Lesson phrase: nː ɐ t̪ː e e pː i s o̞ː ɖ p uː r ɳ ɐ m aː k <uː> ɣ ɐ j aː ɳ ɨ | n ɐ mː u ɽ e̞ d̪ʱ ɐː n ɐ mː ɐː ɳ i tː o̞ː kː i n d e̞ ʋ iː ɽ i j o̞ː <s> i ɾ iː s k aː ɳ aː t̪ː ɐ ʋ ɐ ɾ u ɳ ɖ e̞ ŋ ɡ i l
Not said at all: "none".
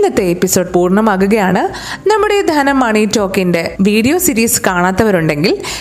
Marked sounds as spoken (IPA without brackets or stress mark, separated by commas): u, s